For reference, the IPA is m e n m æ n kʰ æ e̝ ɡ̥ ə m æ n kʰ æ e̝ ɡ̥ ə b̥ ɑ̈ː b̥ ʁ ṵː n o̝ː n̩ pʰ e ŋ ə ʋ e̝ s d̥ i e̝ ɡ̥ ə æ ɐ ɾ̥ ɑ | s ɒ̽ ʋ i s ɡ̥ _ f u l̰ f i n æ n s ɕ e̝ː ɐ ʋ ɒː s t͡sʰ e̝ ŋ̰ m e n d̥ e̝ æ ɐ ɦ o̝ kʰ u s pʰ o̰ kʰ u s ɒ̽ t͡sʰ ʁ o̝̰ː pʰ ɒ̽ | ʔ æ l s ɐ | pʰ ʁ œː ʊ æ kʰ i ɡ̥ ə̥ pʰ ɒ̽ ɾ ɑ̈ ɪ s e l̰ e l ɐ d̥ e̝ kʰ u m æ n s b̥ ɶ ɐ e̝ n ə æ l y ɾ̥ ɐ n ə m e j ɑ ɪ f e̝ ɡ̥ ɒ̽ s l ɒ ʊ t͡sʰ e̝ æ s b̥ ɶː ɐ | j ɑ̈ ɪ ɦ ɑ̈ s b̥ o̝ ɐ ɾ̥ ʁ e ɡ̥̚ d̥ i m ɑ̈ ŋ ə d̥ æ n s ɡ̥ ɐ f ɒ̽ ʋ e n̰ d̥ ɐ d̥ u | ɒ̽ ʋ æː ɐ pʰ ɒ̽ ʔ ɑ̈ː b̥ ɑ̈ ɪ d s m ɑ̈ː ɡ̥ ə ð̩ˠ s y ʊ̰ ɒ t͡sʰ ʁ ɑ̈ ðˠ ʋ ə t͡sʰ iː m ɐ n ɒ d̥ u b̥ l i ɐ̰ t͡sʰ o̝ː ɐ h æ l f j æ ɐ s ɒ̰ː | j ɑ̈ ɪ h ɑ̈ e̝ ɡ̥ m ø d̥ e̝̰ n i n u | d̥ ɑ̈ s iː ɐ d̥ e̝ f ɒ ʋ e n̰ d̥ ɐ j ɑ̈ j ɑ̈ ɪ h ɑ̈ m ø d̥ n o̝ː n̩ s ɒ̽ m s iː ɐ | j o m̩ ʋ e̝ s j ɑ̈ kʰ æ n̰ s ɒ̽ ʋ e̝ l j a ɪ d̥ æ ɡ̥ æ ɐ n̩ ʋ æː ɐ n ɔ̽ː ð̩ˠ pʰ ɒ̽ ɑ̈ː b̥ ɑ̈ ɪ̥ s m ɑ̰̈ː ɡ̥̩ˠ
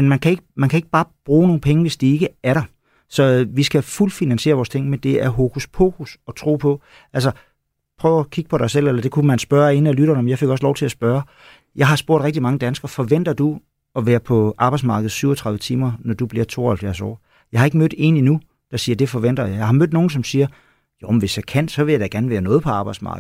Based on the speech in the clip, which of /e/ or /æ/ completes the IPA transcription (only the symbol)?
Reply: æ